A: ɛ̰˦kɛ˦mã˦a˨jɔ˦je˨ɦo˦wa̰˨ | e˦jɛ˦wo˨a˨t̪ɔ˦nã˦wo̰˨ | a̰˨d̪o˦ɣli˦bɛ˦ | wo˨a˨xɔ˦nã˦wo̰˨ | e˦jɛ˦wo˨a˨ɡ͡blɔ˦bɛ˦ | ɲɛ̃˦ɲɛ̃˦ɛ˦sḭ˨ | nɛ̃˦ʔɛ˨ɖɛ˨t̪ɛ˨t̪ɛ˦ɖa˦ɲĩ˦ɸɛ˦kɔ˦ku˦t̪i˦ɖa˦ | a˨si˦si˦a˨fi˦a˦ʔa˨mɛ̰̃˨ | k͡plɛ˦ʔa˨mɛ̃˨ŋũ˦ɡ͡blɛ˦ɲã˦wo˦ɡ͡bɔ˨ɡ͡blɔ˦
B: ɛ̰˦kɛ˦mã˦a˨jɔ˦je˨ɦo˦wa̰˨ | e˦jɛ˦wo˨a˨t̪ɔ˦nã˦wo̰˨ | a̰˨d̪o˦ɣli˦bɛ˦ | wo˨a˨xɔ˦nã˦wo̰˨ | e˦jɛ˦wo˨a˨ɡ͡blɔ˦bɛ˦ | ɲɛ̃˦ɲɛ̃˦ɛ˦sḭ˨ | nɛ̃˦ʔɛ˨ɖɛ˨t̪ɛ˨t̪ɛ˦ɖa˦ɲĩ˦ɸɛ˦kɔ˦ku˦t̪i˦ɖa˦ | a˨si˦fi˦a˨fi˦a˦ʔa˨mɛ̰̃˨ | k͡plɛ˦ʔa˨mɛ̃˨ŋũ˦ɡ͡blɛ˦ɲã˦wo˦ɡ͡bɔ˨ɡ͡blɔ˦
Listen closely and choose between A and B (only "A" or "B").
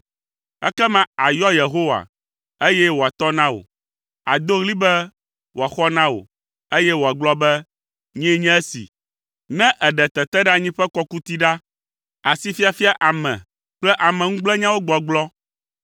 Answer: B